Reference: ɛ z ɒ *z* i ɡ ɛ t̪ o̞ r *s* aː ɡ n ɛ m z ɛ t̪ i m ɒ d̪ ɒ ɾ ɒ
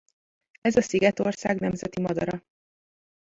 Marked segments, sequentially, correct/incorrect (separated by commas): incorrect, correct